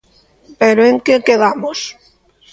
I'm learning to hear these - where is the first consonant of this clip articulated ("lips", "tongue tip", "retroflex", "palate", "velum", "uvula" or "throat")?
lips